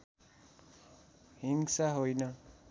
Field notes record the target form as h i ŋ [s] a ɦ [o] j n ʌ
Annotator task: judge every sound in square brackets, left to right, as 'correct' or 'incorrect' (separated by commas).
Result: correct, correct